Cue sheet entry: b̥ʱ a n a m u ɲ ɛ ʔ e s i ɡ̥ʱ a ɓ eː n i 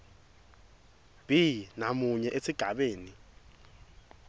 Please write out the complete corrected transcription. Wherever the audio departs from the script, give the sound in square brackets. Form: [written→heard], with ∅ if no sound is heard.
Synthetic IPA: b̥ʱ [a→i] n a m u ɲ ɛ ʔ e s i ɡ̥ʱ a ɓ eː n i